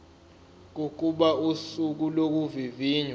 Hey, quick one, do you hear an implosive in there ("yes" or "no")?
yes